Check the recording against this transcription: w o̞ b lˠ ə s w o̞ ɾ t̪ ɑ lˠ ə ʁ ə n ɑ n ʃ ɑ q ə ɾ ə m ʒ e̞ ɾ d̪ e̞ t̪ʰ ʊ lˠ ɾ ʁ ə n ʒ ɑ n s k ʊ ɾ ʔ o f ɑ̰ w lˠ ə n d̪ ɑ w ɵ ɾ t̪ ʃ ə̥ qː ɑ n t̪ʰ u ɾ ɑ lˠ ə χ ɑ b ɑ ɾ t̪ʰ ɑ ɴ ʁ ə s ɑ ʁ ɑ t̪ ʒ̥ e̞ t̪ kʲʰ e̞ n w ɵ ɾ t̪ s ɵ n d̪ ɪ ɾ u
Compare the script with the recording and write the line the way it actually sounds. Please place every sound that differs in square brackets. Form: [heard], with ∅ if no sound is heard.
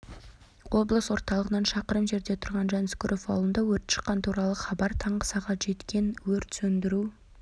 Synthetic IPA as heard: w o̞ b lˠ ə s w o̞ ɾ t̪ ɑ lˠ ə ʁ ə n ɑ n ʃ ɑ q ə ɾ ə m ʒ e̞ ɾ d̪ e̞ t̪ʰ ʊ [∅] ɾ ʁ [ɑ] n ʒ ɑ n s k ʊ ɾ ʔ o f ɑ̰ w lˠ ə n d̪ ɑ w ɵ ɾ t̪ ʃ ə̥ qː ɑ n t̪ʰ u ɾ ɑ lˠ ə χ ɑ b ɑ ɾ t̪ʰ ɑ ɴ ʁ ə s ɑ ʁ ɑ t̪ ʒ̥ e̞ t̪ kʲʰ e̞ n w ɵ ɾ t̪ s ɵ n d̪ ɪ ɾ u

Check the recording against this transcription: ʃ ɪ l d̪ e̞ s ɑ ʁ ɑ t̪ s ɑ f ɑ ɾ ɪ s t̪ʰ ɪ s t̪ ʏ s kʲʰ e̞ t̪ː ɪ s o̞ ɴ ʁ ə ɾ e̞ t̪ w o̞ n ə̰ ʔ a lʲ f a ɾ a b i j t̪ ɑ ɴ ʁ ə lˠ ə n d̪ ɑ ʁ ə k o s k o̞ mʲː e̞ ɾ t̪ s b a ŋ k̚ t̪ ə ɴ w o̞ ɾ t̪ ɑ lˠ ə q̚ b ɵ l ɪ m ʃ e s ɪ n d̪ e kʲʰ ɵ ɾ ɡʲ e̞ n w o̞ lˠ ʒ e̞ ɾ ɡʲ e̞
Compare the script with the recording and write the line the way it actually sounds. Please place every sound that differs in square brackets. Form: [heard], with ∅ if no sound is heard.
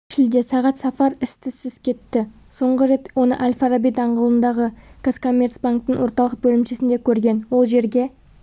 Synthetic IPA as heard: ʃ ɪ l d̪ e̞ s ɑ ʁ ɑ t̪ s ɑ f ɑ ɾ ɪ s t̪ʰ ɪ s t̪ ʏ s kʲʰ e̞ t̪ː ɪ s o̞ ɴ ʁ ə ɾ e̞ t̪ w o̞ n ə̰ ʔ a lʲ f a ɾ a b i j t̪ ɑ ɴ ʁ ə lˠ ə n d̪ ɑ ʁ ə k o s k o̞ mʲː e̞ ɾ t̪ s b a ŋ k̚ t̪ ə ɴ w o̞ ɾ t̪ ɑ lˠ ə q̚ b ɵ l ɪ m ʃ e s ɪ n d̪ e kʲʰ ɵ ɾ ɡʲ e̞ n w o̞ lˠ ʒ e̞ ɾ ɡʲ e̞

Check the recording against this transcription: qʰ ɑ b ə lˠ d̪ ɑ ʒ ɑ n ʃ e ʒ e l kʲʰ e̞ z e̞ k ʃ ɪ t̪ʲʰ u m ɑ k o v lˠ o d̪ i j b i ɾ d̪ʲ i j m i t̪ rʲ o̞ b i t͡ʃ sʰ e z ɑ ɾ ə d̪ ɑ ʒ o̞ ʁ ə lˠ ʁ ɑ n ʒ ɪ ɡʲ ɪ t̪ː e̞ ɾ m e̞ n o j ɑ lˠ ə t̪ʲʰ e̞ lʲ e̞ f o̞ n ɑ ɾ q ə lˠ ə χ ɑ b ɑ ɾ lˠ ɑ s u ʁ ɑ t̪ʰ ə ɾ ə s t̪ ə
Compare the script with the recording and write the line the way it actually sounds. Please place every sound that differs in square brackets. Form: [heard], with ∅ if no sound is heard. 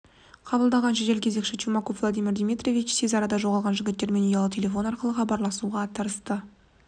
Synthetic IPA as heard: qʰ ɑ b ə lˠ d̪ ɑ [ʁ] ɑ n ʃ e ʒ e l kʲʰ e̞ z e̞ k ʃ ɪ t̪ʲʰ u m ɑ k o v lˠ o d̪ i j [m] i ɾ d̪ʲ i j m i t̪ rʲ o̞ [v] i t͡ʃ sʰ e z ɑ ɾ [ɑ] d̪ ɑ ʒ o̞ ʁ [ɑ] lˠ ʁ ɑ n ʒ ɪ ɡʲ ɪ t̪ː e̞ ɾ m e̞ n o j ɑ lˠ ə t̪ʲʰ e̞ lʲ e̞ f o̞ n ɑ ɾ q ə lˠ ə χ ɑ b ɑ ɾ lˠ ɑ s u ʁ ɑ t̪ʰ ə ɾ ə s t̪ ə

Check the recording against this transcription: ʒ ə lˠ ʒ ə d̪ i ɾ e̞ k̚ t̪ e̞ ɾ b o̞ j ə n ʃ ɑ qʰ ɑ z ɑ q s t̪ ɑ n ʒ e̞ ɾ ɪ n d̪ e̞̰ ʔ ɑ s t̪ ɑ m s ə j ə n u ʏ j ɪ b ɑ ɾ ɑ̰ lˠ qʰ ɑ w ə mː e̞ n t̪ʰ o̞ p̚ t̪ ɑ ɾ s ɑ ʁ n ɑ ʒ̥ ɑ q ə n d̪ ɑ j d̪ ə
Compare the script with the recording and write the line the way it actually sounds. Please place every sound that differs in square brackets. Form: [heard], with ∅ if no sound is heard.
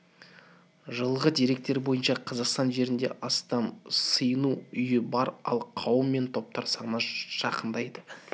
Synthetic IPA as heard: ʒ ə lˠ [ʁ] ə d̪ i ɾ e̞ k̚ t̪ e̞ ɾ b o̞ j ə n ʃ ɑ qʰ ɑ z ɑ q s t̪ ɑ n ʒ e̞ ɾ ɪ n d̪ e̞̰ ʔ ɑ s t̪ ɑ m s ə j ə n u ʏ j ɪ b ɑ ɾ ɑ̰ lˠ qʰ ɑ w ə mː e̞ n t̪ʰ o̞ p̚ t̪ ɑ ɾ s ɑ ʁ n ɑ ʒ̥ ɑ q ə n d̪ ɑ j d̪ ə

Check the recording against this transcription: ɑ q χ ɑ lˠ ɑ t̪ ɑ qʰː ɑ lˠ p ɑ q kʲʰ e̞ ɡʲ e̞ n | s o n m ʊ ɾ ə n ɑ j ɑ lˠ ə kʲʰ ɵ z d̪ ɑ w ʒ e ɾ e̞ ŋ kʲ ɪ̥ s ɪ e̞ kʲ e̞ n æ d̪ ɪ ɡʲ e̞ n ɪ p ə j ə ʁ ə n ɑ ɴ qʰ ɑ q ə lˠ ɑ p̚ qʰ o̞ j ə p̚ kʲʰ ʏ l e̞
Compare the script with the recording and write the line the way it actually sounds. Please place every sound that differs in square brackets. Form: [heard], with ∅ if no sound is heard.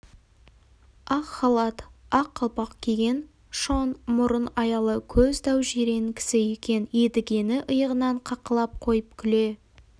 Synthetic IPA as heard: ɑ q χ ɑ lˠ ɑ t̪ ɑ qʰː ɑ lˠ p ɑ q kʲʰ e̞ ɡʲ e̞ n | [ʃ] o n m ʊ ɾ ə n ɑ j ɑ lˠ ə kʲʰ ɵ z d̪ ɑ w ʒ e ɾ e̞ ŋ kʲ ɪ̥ s ɪ e̞ kʲ e̞ n [e] d̪ ɪ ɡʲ e̞ n ɪ [ʔ] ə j ə ʁ ə n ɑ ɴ qʰ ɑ q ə lˠ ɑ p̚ qʰ o̞ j ə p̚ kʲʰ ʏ l e̞

